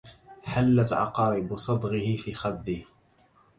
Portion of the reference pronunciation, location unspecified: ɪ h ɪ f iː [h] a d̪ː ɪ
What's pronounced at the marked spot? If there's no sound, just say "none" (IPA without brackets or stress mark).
x